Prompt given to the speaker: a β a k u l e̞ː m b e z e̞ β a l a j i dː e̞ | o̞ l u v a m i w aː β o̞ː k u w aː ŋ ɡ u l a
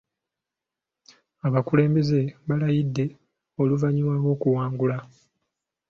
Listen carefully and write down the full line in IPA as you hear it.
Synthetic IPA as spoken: a β a k u l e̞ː m b e z e̞ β a l a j i dː e̞ | o̞ l u v a ɲ i w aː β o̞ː k u w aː ŋ ɡ u l a